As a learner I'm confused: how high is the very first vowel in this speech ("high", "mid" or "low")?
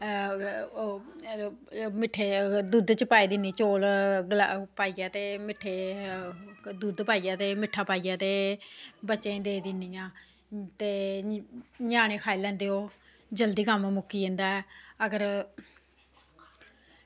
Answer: high